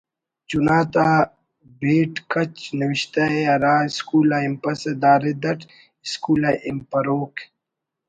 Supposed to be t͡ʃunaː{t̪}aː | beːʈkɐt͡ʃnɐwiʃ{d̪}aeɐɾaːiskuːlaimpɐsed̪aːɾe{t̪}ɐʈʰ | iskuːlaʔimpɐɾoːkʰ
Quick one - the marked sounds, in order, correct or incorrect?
correct, incorrect, incorrect

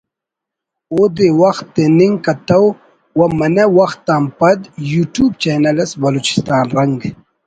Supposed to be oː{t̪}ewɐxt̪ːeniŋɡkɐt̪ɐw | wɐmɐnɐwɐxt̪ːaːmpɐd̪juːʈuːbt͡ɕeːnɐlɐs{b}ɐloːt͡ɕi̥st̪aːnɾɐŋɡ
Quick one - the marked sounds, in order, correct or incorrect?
incorrect, correct

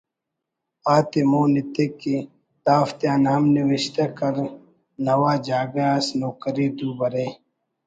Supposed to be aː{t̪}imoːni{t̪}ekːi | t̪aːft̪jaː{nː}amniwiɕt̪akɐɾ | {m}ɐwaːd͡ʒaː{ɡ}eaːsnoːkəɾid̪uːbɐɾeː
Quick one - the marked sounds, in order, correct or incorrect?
correct, correct, incorrect, incorrect, correct

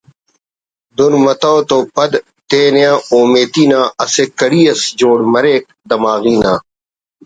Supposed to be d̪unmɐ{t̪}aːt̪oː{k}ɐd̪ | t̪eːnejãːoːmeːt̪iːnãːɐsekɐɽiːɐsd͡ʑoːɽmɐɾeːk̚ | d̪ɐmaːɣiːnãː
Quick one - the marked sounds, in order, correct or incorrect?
correct, incorrect

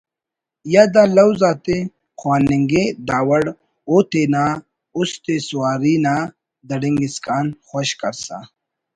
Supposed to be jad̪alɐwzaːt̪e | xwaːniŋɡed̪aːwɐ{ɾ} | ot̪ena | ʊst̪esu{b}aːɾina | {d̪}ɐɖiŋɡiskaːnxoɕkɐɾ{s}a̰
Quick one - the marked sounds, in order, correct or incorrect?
incorrect, incorrect, correct, correct

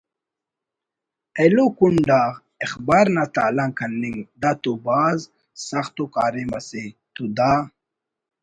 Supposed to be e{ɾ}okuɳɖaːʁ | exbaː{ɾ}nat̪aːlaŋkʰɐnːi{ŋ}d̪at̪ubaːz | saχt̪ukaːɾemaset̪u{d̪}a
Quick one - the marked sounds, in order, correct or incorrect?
incorrect, correct, correct, correct

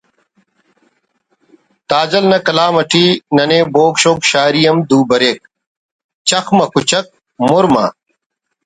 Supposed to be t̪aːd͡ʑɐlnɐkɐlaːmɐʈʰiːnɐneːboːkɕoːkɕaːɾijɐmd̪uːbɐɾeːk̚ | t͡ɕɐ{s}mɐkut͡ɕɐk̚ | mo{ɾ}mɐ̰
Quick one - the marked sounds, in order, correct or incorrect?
incorrect, correct

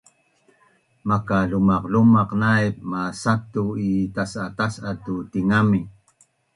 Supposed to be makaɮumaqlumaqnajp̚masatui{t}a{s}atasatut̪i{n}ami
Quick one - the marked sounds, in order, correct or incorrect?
correct, correct, incorrect

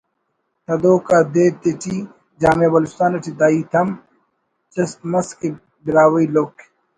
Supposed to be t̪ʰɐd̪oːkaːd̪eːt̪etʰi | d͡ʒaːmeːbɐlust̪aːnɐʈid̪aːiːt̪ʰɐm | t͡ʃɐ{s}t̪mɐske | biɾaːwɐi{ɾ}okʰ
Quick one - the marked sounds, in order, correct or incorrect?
correct, incorrect

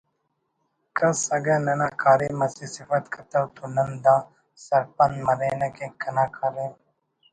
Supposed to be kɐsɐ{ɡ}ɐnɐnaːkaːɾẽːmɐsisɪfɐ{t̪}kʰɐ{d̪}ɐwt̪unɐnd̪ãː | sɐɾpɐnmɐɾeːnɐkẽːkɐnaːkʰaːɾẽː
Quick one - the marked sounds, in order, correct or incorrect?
correct, correct, incorrect

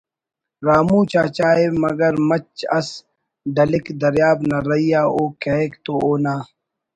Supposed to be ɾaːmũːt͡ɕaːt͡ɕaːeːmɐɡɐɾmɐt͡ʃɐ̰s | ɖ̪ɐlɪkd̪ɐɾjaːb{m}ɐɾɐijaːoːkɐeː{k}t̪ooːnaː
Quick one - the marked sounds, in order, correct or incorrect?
incorrect, correct

